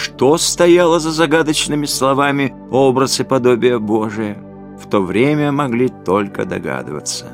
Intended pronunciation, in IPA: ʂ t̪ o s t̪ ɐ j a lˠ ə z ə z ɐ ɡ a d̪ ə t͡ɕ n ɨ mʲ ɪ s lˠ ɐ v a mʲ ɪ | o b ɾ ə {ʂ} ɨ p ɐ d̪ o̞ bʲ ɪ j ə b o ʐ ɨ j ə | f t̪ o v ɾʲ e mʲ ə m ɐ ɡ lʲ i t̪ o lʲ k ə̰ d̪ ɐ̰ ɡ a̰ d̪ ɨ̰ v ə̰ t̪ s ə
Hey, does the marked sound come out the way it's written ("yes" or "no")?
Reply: no